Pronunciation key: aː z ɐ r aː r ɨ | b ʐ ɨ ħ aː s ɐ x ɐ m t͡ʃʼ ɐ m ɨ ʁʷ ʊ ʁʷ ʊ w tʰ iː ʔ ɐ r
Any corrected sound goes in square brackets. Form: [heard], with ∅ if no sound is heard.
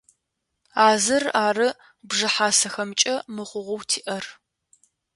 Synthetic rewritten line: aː z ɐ r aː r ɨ | b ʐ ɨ ħ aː s ɐ x ɐ m t͡ʃʼ ɐ m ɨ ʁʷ ʊ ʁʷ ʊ w tʰ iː ʔ ɐ r